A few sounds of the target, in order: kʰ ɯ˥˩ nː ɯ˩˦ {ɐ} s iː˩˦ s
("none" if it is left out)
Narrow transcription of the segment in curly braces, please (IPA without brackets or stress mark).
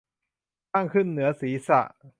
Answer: ɐ